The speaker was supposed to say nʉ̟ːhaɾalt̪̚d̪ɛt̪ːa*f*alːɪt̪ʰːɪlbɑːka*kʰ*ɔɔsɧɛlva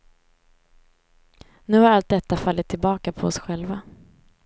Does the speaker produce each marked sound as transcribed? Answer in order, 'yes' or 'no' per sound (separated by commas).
yes, no